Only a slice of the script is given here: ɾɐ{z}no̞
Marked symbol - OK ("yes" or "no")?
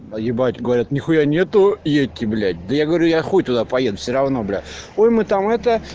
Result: no